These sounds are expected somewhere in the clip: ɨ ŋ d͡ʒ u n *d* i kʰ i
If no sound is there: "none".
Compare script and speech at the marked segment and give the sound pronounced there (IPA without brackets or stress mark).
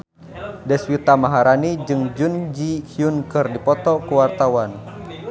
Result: d͡ʒ